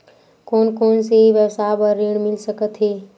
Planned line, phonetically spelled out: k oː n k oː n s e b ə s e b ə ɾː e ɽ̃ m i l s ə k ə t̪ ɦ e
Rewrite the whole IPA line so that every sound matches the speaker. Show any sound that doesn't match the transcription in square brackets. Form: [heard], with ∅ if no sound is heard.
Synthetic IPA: k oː n k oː n s e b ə s [a] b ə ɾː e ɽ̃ m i l s ə k ə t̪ ɦ e